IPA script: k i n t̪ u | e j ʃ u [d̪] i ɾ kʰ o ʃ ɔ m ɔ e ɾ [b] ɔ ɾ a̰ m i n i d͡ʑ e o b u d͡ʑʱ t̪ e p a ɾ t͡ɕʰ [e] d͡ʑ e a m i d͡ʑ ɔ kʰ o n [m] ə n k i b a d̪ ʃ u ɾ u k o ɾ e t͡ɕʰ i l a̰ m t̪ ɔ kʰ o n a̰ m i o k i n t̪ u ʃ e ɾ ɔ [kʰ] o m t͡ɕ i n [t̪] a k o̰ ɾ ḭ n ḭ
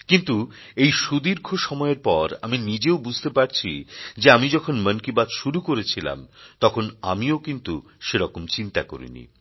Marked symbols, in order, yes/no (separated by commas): yes, no, no, yes, no, yes